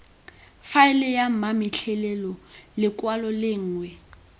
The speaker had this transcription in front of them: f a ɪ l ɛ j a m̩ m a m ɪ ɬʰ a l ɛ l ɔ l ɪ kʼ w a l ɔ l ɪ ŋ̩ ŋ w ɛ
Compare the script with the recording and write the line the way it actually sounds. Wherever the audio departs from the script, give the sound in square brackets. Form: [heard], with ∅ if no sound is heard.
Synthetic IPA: f a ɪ l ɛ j a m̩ m a m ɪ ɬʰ [ɛ] l ɛ l ɔ l ɪ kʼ w a l ɔ l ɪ [ŋ̩ː] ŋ w ɛ